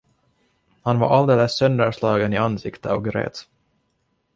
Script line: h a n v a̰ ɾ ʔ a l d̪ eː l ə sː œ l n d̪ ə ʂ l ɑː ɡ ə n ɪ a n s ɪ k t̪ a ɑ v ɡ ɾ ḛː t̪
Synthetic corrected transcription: h a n v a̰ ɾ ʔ a l d̪ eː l ə sː œ n d̪ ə ʂ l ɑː ɡ ə n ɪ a n s ɪ k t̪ ə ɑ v ɡ ɾ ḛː t̪